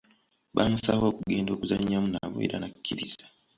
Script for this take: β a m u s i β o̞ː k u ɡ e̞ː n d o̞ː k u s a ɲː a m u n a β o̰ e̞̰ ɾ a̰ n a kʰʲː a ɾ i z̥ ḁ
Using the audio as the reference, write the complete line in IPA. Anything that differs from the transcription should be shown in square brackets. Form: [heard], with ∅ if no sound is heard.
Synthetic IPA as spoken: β a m u s [a] β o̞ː k u ɡ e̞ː n d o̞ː k u [z] a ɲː a m u n a β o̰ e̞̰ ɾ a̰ n a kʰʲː [i] ɾ i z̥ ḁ